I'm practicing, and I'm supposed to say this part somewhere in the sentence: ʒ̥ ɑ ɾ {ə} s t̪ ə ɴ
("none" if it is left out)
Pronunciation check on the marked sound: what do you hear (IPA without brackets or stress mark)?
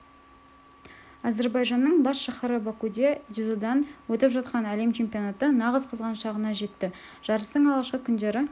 ə